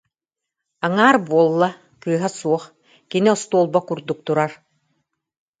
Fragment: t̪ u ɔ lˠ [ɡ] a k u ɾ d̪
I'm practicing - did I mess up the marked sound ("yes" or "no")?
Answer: yes